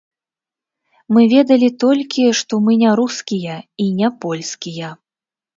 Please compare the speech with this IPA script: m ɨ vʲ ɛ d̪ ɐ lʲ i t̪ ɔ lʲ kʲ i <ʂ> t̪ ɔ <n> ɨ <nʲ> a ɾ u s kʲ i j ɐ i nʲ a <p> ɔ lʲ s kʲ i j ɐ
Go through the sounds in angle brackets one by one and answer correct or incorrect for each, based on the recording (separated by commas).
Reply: correct, incorrect, correct, correct